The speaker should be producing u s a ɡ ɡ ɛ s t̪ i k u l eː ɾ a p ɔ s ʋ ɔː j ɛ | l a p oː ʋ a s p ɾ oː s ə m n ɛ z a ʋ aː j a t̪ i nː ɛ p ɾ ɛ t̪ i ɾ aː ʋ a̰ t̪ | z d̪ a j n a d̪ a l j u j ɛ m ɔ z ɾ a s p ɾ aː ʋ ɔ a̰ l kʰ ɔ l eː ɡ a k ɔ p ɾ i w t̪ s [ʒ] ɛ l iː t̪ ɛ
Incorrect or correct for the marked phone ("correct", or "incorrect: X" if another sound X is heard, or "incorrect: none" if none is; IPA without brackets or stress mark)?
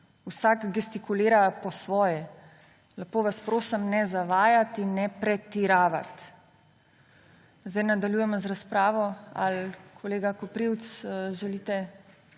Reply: correct